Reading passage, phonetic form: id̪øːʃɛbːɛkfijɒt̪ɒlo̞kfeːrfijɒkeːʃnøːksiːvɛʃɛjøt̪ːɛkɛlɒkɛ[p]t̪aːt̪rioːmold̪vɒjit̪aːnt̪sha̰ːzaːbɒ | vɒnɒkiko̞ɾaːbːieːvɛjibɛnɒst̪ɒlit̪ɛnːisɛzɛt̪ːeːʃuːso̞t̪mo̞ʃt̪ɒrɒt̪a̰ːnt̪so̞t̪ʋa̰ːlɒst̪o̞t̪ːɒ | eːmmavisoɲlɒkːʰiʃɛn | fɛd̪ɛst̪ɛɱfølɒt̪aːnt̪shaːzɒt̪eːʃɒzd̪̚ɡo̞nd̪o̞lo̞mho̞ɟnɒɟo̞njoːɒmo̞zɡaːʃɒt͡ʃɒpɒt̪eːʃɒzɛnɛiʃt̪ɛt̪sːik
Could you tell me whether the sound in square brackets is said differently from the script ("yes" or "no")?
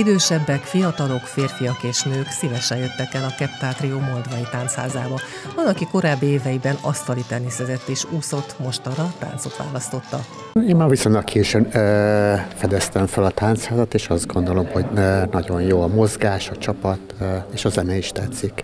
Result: no